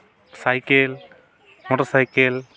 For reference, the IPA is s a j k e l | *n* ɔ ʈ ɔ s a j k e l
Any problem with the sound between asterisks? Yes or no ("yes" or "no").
yes